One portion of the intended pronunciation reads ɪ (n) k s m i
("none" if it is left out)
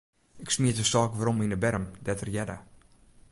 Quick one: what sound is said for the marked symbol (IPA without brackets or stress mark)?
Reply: none